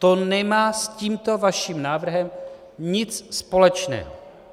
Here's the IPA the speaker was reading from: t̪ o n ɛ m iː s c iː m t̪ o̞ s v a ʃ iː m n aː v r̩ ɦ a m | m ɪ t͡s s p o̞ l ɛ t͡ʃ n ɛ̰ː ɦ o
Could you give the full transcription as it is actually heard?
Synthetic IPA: t̪ o n ɛ m aː s c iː m t̪ o̞ v a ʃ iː m n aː v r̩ ɦ ɛ m | ɲ ɪ t͡s s p o̞ l ɛ t͡ʃ n ɛ̰ː ɦ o